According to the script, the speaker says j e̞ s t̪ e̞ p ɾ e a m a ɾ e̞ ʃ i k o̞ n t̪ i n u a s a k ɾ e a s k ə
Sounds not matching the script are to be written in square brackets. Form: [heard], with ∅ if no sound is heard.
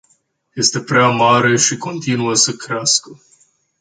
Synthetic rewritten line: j e̞ s t̪ e̞ p ɾ e a m a ɾ e̞ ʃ i k o̞ n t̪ i n u [ə] s [ə] k ɾ e a s k ə

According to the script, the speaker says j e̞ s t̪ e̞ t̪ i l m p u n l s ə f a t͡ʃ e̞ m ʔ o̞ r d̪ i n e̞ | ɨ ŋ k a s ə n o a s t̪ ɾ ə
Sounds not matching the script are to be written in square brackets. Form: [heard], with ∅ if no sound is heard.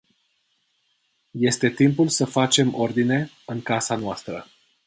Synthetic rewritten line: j e̞ s t̪ e̞ t̪ i [∅] m p u [∅] l s ə f a t͡ʃ e̞ m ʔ o̞ r d̪ i n e̞ | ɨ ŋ k a s [a] n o a s t̪ ɾ ə

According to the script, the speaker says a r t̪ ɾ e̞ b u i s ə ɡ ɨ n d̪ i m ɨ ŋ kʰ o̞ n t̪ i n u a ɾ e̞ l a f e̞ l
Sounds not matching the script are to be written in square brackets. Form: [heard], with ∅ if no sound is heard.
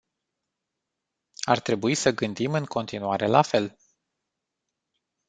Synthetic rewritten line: a r t̪ ɾ e̞ b u i s ə ɡ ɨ n d̪ i m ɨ ŋ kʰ o̞ n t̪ i n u a ɾ e̞ l a f e̞ l

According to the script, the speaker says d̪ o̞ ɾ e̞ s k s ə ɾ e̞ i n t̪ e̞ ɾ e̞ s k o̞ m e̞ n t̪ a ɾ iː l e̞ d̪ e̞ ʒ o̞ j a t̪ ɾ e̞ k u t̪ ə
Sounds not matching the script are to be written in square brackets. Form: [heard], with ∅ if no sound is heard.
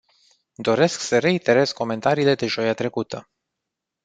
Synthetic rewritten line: d̪ o̞ ɾ e̞ s k s ə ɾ e̞ i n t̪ e̞ ɾ e̞ s k o̞ m e̞ n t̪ a ɾ iː l e̞ d̪ e̞ ʒ o̞ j a t̪ ɾ e̞ k u t̪ ə

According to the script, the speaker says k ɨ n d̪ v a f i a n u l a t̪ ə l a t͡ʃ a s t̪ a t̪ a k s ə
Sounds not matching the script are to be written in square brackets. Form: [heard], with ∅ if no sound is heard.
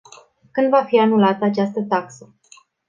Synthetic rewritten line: k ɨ n d̪ v a f i a n u l a t̪ ə [∅] a t͡ʃ a s t̪ [ə] t̪ a k s ə

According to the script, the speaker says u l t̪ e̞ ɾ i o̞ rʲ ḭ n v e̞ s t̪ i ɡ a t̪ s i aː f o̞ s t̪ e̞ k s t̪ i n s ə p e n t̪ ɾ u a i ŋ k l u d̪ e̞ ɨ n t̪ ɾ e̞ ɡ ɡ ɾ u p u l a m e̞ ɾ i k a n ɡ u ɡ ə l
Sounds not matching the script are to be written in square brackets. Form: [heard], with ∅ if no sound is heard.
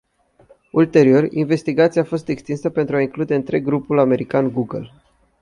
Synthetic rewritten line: u l t̪ e̞ ɾ i o̞ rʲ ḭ n v e̞ s t̪ i ɡ a t̪ s i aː f o̞ s t̪ e̞ k s t̪ i n s ə p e n t̪ ɾ u a i ŋ k l u d̪ e̞ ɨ n t̪ ɾ e̞ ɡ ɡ ɾ u p u l a m e̞ ɾ i k a n ɡ u ɡ ə l

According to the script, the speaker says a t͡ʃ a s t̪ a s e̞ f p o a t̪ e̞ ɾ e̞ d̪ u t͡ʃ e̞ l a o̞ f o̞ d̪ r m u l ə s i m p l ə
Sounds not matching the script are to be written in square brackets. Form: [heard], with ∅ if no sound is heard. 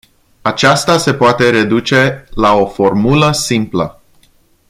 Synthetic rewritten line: a t͡ʃ a s t̪ a s e̞ [∅] p o a t̪ e̞ ɾ e̞ d̪ u t͡ʃ e̞ l a o̞ f o̞ [∅] r m u l ə s i m p l ə

